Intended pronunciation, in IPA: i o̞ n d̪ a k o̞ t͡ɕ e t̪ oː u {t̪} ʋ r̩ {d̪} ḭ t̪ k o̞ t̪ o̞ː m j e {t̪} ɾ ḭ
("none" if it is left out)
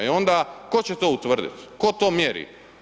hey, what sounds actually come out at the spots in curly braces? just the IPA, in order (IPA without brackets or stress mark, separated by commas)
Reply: t̪, d̪, none